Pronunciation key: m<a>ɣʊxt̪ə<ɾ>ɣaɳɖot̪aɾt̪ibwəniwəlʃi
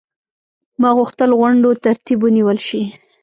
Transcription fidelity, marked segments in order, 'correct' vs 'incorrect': incorrect: ɑ, incorrect: l

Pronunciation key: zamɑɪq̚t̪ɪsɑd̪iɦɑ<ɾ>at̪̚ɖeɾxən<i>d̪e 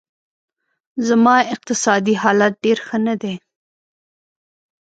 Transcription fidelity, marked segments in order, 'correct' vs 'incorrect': incorrect: l, incorrect: a

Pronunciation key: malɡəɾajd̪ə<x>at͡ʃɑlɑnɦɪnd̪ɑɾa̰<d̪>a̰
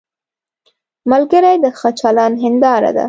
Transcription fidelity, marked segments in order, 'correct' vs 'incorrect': correct, correct

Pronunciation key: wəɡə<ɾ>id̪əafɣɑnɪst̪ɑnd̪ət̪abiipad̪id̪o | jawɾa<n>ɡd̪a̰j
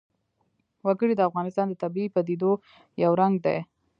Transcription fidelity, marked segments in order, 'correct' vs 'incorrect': incorrect: ɽ, incorrect: ŋ

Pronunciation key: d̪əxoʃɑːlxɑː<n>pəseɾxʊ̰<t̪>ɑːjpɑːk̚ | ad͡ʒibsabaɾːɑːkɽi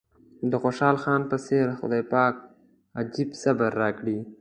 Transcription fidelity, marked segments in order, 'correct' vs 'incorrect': correct, incorrect: d̪

